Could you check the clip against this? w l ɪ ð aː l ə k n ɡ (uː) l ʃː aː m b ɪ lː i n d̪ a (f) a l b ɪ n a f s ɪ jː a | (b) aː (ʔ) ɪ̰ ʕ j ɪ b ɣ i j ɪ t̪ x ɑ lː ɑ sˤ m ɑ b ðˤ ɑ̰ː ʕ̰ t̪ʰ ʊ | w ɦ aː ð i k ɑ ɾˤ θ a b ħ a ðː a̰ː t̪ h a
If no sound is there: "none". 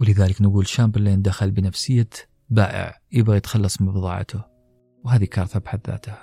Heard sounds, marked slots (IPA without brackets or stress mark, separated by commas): uː, x, b, ʔ